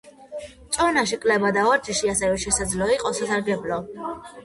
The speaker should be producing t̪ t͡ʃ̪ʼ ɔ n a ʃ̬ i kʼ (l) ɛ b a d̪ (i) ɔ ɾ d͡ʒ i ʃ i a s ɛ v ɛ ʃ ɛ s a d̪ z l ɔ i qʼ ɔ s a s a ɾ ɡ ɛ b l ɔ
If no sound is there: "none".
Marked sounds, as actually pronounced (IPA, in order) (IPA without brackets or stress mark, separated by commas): l, a